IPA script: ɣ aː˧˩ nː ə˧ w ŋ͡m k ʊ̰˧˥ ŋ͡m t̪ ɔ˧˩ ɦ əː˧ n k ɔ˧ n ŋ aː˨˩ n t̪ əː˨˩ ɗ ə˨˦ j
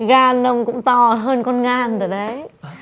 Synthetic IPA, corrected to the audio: ɣ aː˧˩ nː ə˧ w ŋ͡m k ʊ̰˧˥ ŋ͡m t̪ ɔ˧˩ ɦ əː˧ n k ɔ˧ n ŋ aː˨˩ n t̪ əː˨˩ ɗ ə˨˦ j